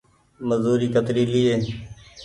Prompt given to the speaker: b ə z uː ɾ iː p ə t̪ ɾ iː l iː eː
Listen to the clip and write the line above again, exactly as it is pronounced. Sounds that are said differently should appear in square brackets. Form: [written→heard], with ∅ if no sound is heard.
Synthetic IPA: [b→m] ə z uː ɾ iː [p→k] ə t̪ ɾ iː l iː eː